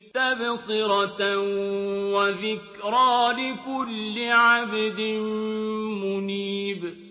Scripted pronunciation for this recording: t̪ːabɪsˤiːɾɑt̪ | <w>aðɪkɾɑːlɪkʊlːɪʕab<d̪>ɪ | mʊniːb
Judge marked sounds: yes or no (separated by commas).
yes, yes